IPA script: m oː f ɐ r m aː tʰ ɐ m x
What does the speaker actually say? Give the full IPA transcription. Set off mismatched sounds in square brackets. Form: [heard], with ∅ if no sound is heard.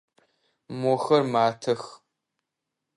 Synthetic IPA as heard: m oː [x] ɐ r m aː tʰ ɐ [∅] x

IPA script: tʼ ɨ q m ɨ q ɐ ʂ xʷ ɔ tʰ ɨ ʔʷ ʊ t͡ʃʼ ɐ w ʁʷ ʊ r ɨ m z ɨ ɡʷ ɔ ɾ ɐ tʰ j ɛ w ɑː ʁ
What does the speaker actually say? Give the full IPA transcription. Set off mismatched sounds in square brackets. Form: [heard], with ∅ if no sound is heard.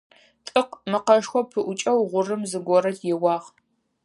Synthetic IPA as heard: tʼ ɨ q m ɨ q ɐ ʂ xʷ ɔ [pʰ] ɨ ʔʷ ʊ t͡ʃʼ ɐ w ʁʷ ʊ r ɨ m z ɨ ɡʷ ɔ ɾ ɐ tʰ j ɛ w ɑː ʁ

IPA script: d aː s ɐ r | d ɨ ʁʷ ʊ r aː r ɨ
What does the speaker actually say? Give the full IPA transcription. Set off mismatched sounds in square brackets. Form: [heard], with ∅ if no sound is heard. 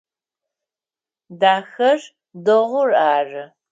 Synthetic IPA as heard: d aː [x] ɐ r | d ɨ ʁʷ ʊ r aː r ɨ

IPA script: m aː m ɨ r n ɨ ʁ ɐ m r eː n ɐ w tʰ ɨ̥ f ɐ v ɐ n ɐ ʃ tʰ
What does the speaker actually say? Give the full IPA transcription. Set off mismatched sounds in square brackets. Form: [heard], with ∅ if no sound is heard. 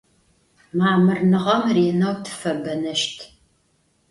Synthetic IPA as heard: m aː m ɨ r n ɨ ʁ ɐ m r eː n ɐ w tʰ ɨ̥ f ɐ [b] ɐ n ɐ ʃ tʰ

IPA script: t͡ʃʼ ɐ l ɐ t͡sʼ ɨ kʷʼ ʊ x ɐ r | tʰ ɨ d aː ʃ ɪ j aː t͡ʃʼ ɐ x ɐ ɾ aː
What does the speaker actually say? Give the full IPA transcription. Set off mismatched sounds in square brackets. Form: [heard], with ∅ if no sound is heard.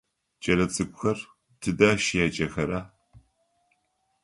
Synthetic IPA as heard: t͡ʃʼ ɐ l ɐ t͡sʼ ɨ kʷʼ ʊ x ɐ r | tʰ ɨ d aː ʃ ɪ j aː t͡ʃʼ ɐ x ɐ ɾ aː

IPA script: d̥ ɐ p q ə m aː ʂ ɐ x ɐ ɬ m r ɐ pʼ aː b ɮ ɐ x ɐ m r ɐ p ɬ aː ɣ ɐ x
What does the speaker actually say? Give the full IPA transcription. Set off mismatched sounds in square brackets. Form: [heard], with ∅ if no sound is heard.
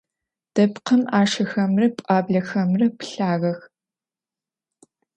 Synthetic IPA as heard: d̥ ɐ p q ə m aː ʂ ɐ x ɐ [∅] m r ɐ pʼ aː b ɮ ɐ x ɐ m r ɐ p ɬ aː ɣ ɐ x

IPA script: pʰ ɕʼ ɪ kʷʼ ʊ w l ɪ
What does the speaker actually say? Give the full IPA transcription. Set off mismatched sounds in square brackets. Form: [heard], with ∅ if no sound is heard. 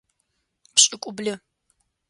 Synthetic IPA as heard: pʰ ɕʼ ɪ kʷʼ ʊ [b] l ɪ

